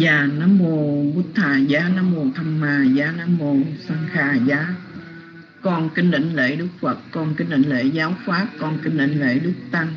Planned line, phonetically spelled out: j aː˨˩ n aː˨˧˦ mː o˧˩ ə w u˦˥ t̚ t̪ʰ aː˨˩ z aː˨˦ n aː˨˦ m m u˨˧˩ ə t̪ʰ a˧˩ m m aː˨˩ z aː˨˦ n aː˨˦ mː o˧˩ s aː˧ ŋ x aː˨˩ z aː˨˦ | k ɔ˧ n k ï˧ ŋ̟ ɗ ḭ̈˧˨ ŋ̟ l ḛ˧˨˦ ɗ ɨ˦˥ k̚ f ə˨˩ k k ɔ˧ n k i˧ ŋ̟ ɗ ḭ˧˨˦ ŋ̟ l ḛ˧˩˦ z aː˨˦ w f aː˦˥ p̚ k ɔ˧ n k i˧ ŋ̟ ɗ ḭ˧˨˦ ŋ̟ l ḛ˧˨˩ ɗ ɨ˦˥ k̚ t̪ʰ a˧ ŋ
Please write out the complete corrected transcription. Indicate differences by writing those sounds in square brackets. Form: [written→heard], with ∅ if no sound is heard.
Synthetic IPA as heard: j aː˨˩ n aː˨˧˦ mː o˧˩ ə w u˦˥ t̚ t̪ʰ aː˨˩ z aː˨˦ n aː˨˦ m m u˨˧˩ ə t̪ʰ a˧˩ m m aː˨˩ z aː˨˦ n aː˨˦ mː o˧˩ s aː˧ ŋ x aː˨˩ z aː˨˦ | k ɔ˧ n k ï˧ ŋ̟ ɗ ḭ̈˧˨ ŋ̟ l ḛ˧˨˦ ɗ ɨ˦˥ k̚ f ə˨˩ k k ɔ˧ n k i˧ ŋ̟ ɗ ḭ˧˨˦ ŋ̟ l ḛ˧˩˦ z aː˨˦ w f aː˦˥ p̚ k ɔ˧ n k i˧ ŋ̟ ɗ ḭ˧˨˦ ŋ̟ l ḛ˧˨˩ ɗ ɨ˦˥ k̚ [t̪ʰ→t̪] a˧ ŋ